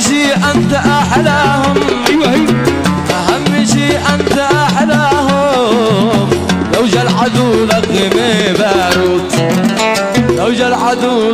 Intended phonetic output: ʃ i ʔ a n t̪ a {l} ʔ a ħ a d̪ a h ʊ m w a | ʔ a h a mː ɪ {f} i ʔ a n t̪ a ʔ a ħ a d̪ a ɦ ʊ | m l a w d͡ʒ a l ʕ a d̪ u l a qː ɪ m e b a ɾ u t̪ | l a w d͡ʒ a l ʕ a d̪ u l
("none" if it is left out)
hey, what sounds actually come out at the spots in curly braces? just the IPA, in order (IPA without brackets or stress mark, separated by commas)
none, ʃ